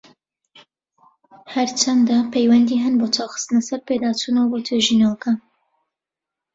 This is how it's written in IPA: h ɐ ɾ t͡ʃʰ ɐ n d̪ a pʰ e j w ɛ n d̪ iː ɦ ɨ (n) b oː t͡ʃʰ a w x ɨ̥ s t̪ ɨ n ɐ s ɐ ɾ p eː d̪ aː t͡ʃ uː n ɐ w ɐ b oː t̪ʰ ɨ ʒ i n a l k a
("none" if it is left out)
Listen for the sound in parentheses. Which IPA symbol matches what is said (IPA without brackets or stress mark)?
n